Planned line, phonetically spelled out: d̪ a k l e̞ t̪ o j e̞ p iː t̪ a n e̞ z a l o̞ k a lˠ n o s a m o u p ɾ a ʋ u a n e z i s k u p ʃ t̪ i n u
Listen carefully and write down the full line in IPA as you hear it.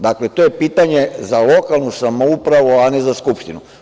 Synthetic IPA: d̪ a k l e̞ t̪ o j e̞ p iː t̪ a ɲ e̞ z a l o̞ k a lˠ n u s a m o u p ɾ a ʋ u a n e z a s k u p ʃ t̪ i n u